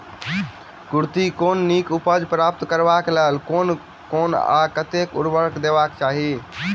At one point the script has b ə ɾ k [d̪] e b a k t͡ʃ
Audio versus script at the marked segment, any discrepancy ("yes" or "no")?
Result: no